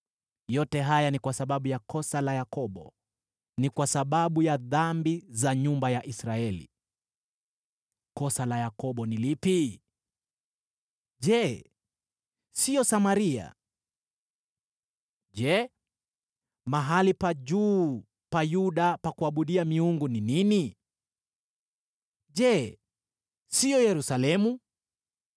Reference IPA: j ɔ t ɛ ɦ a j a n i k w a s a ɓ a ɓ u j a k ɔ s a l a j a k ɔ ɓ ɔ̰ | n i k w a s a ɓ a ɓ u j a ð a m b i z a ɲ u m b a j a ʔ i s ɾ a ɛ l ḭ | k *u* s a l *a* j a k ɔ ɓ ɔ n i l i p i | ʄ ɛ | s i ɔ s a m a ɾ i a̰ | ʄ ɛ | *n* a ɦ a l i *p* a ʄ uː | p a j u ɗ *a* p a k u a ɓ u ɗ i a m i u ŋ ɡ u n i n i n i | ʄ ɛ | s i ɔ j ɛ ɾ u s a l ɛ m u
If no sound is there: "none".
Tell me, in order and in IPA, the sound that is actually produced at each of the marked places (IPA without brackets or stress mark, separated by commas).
ɔ, a, m, p, a